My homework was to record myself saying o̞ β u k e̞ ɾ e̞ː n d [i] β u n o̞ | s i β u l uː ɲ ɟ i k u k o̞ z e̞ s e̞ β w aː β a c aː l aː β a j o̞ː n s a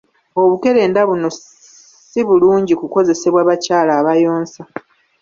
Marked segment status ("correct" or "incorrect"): incorrect